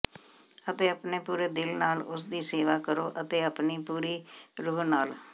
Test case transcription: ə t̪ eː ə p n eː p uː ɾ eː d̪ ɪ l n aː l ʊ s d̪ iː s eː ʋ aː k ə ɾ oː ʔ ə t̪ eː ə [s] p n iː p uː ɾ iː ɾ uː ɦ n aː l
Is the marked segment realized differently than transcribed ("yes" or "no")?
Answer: yes